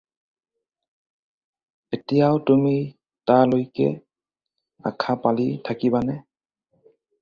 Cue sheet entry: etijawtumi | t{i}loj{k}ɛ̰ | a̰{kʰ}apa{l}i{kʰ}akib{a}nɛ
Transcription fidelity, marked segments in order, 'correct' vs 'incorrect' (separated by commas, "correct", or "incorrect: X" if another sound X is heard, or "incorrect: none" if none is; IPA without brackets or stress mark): incorrect: a, correct, correct, correct, incorrect: tʰ, correct